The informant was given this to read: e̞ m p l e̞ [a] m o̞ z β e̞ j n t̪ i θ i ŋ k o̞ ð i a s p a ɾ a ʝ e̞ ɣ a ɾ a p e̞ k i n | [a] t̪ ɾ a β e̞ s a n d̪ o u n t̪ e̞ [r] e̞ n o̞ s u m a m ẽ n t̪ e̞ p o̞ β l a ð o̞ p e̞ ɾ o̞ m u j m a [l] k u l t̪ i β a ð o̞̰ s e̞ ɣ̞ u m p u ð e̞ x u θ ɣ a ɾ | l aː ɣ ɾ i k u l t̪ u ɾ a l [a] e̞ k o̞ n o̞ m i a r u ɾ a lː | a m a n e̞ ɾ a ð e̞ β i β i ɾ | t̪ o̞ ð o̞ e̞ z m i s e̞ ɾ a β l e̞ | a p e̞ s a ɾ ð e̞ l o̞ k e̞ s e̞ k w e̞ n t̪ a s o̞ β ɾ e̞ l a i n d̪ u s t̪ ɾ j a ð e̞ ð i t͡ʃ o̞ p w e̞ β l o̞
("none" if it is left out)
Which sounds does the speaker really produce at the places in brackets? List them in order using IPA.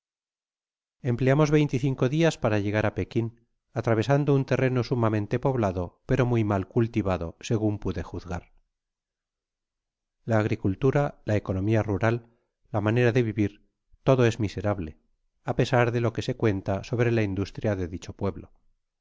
a, a, r, l, a

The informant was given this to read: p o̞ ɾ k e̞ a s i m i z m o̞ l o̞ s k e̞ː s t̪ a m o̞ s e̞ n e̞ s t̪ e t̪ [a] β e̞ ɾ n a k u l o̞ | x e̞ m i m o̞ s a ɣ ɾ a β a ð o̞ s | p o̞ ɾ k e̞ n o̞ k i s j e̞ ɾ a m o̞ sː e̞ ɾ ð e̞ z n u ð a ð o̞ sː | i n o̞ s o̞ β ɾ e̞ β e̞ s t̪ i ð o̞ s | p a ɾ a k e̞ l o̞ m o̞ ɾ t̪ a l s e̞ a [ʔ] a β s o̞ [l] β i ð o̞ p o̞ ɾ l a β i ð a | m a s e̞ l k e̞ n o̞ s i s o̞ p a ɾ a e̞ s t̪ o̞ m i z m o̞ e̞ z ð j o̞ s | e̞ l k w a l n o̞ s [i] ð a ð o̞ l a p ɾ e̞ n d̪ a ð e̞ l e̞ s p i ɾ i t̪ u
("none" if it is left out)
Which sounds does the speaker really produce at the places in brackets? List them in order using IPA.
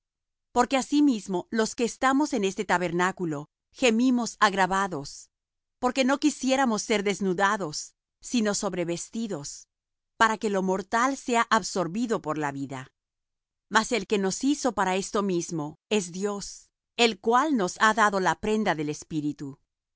a, ʔ, ɾ, a

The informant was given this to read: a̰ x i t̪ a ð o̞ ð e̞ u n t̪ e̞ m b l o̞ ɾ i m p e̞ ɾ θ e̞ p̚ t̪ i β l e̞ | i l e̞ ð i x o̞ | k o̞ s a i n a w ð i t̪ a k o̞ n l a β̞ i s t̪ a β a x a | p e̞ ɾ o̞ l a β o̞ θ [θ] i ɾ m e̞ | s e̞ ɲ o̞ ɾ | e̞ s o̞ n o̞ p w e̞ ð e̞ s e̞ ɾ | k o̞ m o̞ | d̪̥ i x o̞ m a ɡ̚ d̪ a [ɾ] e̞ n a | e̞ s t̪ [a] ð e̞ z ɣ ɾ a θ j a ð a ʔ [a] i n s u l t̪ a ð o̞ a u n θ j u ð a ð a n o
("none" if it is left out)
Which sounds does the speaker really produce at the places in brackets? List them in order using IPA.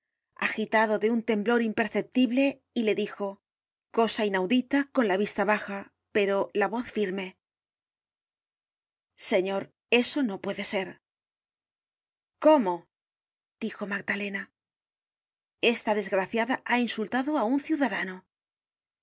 f, l, a, a

